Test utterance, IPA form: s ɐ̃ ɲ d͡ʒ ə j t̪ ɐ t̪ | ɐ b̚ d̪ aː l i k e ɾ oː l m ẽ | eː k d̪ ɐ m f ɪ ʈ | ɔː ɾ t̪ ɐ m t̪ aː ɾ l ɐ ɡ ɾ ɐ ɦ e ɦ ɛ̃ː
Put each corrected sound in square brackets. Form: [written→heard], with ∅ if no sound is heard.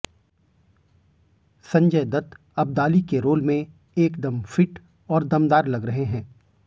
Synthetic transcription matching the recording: s ɐ̃ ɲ d͡ʒ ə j [t̪→d̪] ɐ t̪ | ɐ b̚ d̪ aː l i k e ɾ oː l m ẽ | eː k d̪ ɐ m f ɪ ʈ | ɔː ɾ [t̪→d̪] ɐ m [t̪→d̪] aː ɾ l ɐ ɡ ɾ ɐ ɦ e ɦ ɛ̃ː